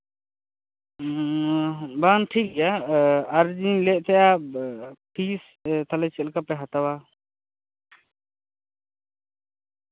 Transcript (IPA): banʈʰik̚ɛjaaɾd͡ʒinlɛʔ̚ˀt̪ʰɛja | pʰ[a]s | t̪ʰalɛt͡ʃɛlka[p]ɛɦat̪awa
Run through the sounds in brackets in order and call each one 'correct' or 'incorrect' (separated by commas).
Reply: incorrect, correct